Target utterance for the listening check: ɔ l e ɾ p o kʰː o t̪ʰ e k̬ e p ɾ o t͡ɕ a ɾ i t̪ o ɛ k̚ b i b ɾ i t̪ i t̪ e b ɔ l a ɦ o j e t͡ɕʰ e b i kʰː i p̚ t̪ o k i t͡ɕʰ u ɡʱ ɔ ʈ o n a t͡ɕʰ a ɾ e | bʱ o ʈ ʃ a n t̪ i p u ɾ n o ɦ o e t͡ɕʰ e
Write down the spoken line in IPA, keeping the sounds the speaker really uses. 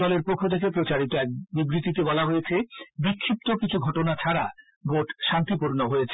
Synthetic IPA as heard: ɔ l e ɾ p o kʰː o t̪ʰ e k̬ e p ɾ o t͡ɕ a ɾ i t̪ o ɛ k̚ b i b ɾ i t̪ i t̪ e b ɔ l a ɦ o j e t͡ɕʰ e b i kʰː i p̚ t̪ o k i t͡ɕʰ u ɡʱ ɔ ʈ o n a t͡ɕʰ a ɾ a | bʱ o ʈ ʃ a n t̪ i p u ɾ n o ɦ o e t͡ɕʰ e